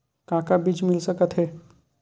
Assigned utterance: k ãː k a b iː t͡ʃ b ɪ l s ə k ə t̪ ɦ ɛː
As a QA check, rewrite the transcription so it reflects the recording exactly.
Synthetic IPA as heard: k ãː k a b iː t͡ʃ m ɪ l s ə k ə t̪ ɦ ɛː